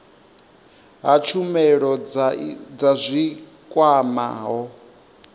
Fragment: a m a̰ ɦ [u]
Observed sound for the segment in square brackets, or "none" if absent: ɔ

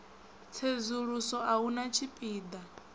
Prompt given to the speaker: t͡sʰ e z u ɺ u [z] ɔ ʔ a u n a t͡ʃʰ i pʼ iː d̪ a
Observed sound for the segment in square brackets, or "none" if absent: s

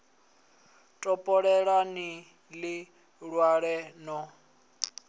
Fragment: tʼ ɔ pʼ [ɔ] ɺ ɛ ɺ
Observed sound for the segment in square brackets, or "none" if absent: ɔ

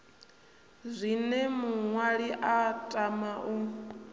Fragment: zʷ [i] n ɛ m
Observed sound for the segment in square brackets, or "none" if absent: i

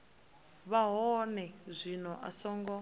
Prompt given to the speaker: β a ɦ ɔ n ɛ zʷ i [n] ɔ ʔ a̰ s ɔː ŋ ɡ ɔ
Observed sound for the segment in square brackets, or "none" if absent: n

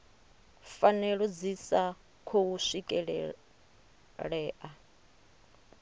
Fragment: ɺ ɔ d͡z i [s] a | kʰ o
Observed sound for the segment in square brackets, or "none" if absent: s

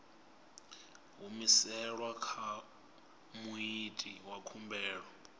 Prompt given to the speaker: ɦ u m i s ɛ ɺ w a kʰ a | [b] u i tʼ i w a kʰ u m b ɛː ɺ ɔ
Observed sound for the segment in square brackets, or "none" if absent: m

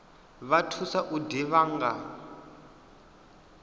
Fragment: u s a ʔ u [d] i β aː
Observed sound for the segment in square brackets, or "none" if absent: d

